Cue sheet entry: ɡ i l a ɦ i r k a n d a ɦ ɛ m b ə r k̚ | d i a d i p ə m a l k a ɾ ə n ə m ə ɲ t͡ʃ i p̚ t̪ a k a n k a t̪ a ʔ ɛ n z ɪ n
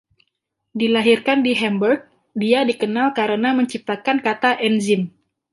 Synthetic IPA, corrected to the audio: d i l a ɦ i r k a n d i ɦ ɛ m b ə r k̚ | d i a d i k ə n a l k a ɾ ə n a m ə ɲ t͡ʃ i p̚ t̪ a k a n k a t̪ a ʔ ɛ n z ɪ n